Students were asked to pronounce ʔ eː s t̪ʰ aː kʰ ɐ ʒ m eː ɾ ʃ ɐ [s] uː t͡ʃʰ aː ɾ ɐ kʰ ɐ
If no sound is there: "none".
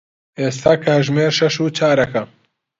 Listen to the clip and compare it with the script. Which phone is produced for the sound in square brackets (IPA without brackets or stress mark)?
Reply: ʃ